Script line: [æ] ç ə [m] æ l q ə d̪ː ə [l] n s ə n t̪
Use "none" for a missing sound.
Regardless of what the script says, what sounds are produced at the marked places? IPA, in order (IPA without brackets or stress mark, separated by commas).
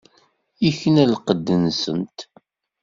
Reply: i, n, none